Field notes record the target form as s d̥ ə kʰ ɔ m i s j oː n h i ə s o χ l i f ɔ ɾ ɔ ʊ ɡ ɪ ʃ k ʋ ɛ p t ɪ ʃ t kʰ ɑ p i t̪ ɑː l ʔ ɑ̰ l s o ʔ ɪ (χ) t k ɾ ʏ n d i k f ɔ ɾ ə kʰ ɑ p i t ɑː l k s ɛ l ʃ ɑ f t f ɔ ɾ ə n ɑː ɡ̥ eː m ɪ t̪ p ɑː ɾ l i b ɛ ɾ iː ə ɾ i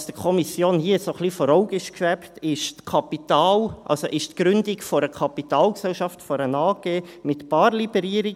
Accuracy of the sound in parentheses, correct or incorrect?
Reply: incorrect